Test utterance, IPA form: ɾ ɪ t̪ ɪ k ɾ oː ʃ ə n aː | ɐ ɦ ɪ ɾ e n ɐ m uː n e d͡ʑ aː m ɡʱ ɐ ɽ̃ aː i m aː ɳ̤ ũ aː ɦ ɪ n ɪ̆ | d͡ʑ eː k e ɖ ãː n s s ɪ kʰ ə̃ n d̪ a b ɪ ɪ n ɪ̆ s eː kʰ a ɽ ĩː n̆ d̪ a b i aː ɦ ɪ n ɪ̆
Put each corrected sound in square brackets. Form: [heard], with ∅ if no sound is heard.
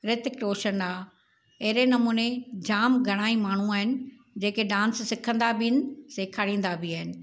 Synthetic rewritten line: ɾ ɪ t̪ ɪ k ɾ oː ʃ ə n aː | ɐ ɦ ɪ ɾ e n ɐ m uː n e d͡ʑ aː m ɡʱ ɐ ɽ̃ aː i m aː ɳ̤ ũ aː ɦ ɪ n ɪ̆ | d͡ʑ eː k e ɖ ãː n s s ɪ kʰ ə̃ n d̪ a b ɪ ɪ n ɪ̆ s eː kʰ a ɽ ĩː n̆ d̪ a b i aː ɦ ɪ n ɪ̆